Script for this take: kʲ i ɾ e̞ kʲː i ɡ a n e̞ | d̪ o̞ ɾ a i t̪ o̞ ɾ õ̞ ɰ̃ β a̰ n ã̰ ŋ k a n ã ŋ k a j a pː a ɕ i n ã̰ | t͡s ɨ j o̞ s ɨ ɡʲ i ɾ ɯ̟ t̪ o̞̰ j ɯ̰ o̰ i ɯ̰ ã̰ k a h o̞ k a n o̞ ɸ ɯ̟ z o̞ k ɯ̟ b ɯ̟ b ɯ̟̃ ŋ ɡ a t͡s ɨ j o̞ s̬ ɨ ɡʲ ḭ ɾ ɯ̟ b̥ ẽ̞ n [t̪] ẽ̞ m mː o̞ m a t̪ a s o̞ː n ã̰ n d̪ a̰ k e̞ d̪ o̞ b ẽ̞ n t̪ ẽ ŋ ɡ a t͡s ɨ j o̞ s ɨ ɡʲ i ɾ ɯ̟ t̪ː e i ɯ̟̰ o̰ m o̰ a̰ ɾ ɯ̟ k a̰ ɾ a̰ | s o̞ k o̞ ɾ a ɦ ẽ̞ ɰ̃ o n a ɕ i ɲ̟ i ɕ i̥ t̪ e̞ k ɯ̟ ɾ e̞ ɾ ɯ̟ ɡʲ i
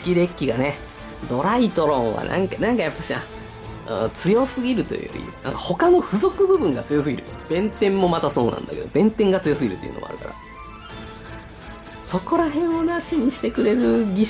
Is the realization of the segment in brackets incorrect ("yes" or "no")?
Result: no